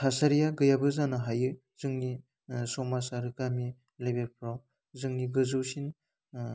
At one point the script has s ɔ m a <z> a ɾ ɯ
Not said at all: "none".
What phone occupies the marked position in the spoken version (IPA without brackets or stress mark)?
s